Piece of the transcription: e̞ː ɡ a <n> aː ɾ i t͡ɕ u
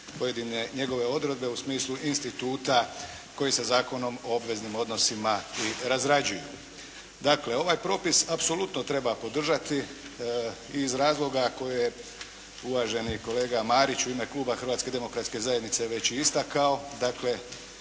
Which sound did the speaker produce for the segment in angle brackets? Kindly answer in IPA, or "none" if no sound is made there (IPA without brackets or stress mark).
m